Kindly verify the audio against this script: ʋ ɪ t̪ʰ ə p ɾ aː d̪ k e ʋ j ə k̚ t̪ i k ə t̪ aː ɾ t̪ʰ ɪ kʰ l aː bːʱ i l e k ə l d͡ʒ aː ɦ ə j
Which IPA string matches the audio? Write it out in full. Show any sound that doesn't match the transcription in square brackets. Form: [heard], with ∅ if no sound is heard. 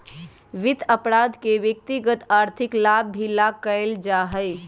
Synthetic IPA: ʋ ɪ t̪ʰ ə p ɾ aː d̪ k e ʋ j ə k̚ t̪ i [ɡ] ə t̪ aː ɾ t̪ʰ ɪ [k] l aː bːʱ i l [a] k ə l d͡ʒ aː ɦ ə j